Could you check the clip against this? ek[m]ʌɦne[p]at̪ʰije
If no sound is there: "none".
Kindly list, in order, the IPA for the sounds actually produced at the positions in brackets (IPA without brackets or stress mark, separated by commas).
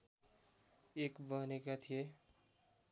b, k